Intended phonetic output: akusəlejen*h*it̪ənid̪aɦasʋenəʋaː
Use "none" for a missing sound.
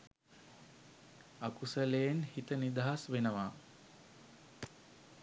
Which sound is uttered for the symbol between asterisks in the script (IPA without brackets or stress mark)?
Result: h